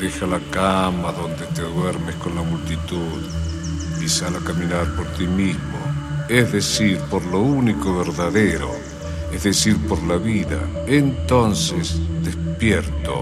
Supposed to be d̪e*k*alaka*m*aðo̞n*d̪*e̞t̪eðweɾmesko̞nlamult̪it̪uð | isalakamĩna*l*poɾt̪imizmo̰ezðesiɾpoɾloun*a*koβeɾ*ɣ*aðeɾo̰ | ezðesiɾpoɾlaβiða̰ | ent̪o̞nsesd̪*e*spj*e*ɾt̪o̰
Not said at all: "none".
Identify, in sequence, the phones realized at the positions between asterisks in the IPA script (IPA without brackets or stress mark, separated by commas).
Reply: x, m, d̪, ɾ, i, ð, e, e